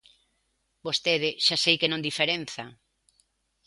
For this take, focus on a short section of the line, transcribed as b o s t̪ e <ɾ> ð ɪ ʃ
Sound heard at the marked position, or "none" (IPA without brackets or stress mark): none